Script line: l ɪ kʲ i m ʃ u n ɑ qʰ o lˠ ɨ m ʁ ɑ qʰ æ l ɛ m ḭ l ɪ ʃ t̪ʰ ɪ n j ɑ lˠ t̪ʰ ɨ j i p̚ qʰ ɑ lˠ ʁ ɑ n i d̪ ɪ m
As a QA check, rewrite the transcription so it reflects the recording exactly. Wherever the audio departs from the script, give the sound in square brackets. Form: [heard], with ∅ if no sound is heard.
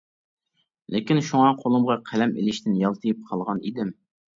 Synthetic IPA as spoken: l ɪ kʲ i [n] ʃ u [ŋ] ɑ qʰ o lˠ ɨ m ʁ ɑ qʰ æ l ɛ m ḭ l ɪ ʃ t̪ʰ ɪ n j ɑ lˠ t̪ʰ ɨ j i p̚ qʰ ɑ lˠ ʁ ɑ n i d̪ ɪ m